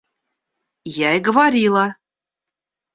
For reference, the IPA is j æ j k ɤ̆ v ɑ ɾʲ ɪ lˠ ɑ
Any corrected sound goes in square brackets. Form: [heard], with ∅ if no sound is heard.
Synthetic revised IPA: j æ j [ɡ] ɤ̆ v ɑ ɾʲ [i] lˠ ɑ